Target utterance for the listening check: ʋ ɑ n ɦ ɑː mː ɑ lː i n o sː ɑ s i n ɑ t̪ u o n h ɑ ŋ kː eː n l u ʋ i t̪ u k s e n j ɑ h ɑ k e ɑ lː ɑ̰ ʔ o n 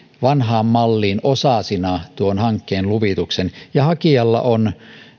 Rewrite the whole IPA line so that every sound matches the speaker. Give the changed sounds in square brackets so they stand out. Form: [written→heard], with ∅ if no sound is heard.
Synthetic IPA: ʋ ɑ n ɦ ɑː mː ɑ lː [i→iː] n o [sː→s] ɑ s i n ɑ t̪ u o n h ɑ ŋ kː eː n l u ʋ i t̪ u k s e n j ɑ h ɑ k [e→i] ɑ lː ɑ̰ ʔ o n